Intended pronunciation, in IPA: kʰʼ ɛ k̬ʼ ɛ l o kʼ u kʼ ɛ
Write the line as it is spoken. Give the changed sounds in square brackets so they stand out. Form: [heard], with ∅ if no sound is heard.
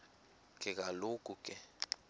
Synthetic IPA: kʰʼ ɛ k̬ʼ [a] l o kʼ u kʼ ɛ